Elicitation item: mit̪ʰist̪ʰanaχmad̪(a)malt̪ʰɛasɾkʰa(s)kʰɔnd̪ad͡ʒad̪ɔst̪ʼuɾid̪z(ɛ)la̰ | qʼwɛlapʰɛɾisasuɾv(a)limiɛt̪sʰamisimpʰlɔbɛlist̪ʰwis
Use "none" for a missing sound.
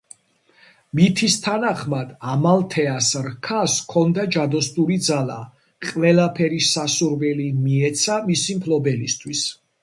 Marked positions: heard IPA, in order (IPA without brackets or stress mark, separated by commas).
a, s, a, ɛ